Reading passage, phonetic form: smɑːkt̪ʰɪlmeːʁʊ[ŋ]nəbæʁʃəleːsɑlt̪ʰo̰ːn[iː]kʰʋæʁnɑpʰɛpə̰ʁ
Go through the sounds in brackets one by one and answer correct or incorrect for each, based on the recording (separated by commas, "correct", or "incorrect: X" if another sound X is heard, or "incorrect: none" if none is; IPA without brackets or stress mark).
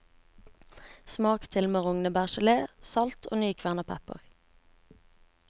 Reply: correct, incorrect: yː